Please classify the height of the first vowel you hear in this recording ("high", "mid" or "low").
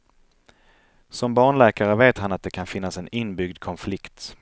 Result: mid